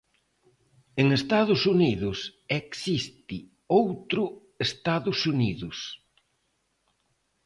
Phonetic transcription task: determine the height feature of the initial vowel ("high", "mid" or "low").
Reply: mid